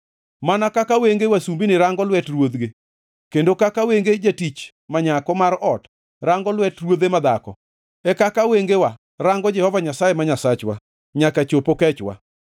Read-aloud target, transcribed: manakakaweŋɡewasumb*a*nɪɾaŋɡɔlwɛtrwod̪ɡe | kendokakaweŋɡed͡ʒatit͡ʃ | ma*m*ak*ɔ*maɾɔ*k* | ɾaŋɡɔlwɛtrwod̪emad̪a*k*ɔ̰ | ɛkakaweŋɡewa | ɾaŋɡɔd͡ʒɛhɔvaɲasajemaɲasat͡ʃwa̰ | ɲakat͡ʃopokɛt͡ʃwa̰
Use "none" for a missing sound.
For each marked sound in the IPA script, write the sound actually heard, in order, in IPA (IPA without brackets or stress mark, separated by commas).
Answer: i, ɲ, ɔ, t, k